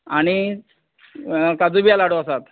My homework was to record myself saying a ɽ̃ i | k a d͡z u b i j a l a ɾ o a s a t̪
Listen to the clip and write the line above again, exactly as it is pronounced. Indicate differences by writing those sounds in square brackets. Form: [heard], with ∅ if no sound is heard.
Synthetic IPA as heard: a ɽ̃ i | k a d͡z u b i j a l a [ɽ] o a s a t̪